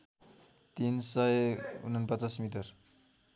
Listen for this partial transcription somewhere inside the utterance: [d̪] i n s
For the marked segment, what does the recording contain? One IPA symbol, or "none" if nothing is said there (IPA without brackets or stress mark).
t̪